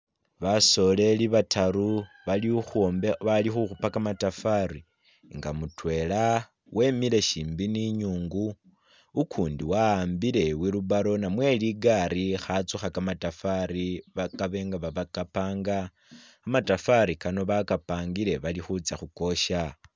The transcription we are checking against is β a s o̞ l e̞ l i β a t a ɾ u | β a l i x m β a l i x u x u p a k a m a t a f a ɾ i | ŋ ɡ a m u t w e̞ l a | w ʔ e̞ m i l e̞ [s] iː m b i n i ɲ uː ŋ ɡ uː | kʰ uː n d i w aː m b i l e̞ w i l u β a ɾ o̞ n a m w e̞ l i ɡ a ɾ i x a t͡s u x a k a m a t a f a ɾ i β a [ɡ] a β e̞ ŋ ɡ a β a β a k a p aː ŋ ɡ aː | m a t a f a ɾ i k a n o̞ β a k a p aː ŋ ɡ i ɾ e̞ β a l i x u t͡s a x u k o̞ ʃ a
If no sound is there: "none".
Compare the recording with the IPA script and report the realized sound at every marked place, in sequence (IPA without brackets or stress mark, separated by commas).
ʃ, k